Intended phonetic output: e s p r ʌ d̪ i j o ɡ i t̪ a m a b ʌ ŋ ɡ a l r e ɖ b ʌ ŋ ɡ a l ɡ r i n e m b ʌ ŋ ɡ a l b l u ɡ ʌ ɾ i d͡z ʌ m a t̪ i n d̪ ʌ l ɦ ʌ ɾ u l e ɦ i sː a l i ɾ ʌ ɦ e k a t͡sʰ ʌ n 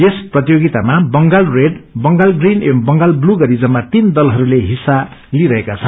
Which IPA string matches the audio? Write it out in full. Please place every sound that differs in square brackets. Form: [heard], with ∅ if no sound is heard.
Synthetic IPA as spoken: e s p r ʌ [t̪] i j o ɡ i t̪ a m a b ʌ ŋ ɡ a l r e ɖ b ʌ ŋ ɡ a l ɡ r i n e m b ʌ ŋ ɡ a l b l u ɡ ʌ ɾ i d͡z ʌ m a t̪ i n d̪ ʌ l ɦ ʌ ɾ u l e ɦ i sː a l i ɾ ʌ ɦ e k a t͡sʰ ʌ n